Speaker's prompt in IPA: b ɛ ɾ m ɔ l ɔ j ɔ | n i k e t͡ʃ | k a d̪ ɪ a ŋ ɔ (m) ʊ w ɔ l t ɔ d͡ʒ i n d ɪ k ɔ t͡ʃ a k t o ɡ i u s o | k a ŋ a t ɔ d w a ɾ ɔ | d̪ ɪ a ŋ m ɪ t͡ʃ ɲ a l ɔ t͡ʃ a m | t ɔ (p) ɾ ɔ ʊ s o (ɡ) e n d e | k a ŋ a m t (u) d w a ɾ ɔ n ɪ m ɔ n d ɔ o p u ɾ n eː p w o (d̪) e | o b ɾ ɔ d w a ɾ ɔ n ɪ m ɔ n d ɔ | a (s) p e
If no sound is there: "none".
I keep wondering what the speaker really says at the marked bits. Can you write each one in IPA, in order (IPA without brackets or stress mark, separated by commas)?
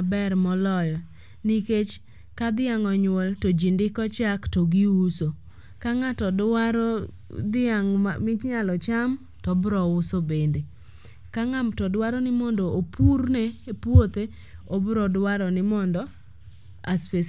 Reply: ɲ, b, b, ɔ, t̪, s